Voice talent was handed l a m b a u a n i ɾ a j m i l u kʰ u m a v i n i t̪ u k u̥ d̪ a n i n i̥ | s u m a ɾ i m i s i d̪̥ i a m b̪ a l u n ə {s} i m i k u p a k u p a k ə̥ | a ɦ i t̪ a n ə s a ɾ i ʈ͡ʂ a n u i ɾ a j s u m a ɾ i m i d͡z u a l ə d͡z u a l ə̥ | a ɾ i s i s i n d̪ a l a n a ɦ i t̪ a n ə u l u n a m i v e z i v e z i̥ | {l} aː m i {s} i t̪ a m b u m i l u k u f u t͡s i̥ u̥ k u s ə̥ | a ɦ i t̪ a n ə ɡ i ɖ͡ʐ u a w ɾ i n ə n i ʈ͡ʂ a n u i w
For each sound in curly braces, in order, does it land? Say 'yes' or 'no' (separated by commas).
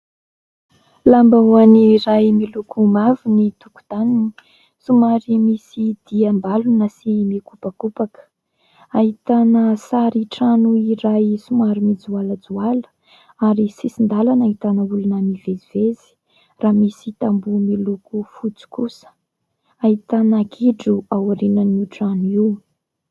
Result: yes, no, yes